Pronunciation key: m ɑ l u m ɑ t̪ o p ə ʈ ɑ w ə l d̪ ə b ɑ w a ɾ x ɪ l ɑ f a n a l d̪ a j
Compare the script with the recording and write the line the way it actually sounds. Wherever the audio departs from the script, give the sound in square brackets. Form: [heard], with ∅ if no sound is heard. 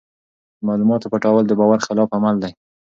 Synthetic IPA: m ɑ l u m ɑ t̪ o p ə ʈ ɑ w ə l d̪ ə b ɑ w a ɾ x ɪ l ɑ f a [m] a l d̪ a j